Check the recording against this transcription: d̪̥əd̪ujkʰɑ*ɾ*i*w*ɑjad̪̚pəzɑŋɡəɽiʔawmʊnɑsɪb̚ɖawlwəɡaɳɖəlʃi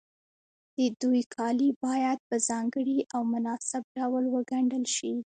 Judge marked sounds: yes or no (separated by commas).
no, no